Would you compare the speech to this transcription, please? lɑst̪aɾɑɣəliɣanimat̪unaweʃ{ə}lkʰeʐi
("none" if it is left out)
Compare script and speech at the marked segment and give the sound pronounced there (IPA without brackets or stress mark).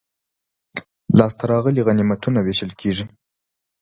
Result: ə